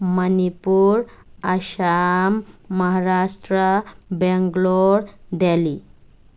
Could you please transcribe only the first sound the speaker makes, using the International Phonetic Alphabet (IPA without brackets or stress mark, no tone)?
m